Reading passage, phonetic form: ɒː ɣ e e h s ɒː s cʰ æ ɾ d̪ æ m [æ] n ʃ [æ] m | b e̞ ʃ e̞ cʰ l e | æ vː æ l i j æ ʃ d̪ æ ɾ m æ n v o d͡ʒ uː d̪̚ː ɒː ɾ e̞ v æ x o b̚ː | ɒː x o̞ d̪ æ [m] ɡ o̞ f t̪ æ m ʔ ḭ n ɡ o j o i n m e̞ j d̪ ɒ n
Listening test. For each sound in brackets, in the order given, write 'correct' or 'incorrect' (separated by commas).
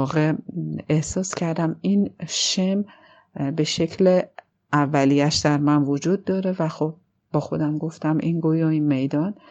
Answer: incorrect, incorrect, correct